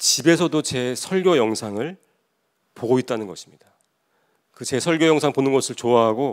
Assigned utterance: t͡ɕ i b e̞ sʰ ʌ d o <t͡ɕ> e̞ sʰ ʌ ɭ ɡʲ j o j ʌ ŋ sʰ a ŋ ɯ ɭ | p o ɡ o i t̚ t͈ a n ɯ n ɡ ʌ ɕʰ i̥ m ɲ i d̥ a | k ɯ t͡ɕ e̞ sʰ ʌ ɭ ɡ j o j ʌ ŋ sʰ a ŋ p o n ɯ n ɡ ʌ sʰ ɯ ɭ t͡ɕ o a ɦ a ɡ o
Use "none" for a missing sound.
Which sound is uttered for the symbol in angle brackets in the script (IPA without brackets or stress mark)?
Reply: t͡ɕ